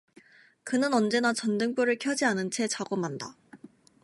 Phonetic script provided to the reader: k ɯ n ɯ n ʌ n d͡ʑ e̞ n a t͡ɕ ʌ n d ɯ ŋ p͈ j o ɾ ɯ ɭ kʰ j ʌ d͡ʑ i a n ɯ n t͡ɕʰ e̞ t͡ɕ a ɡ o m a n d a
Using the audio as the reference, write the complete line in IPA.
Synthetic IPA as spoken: k ɯ n ɯ n ʌ n d͡ʑ e̞ n a t͡ɕ ʌ n d ɯ ŋ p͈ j o ɾ ɯ ɭ kʰ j ʌ d͡ʑ i a n ɯ n t͡ɕʰ e̞ t͡ɕ a ɡ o m a n d a

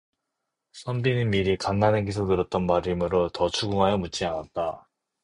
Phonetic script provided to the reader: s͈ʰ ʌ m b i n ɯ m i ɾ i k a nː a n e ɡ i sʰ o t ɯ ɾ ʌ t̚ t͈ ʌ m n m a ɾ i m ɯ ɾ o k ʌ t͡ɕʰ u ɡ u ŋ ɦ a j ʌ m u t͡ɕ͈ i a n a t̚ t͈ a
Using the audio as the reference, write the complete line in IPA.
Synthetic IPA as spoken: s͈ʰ ʌ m b i n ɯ m i ɾ i k a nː a n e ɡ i sʰ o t ɯ ɾ ʌ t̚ t͈ ʌ n m a ɾ i m ɯ ɾ o t ʌ t͡ɕʰ u ɡ u ŋ ɦ a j ʌ m u t͡ɕ͈ i a n a t̚ t͈ a

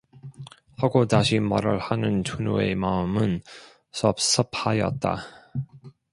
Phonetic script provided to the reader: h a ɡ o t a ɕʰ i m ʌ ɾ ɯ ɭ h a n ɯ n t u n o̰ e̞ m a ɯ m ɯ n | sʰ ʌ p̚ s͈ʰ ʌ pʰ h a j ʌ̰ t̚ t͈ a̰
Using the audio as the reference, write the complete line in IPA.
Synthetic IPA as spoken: h a ɡ o t a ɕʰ i m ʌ ɾ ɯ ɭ h a n ɯ n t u n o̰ e̞ m a ɯ m ɯ n | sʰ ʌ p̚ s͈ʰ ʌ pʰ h a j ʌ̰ t̚ t͈ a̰

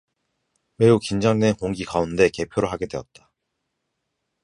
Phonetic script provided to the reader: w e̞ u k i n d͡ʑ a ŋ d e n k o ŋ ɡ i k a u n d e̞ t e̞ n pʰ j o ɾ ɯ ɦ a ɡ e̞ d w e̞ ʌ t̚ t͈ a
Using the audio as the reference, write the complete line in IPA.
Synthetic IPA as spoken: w e̞ u k i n d͡ʑ a ŋ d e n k o ŋ ɡ i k a u n d e̞ k e̞ pʰ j o ɾ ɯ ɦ a ɡ e̞ d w e̞ ʌ t̚ t͈ a

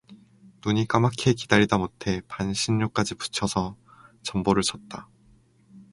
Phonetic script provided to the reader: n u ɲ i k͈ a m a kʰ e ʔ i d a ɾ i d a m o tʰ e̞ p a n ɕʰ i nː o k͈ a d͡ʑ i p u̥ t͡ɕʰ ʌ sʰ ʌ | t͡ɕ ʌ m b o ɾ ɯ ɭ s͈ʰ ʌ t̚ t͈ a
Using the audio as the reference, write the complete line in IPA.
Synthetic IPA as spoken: n u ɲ i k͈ a m a kʰ e k i d a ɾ i d a m o tʰ e̞ p a n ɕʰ i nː o k͈ a d͡ʑ i p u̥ t͡ɕʰ ʌ sʰ ʌ | t͡ɕ ʌ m b o ɾ ɯ ɭ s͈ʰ ʌ t̚ t͈ a

